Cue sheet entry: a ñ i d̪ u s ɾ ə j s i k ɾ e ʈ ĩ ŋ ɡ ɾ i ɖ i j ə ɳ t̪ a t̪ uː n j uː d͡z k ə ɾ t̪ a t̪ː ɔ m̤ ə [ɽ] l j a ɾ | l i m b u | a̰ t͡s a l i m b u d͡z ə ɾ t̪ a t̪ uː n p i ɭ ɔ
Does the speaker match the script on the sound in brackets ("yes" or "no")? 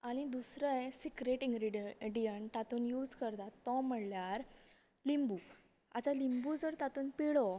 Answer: yes